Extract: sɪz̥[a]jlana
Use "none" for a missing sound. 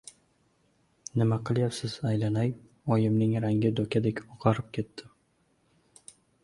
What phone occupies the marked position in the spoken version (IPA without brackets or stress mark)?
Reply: a